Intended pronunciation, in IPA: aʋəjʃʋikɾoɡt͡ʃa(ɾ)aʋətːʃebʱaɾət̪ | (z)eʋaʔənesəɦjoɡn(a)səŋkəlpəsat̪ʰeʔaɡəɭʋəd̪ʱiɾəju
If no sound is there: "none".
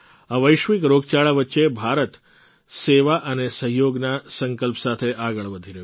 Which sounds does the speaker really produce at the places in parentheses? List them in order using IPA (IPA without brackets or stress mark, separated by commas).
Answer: ɭ, s, a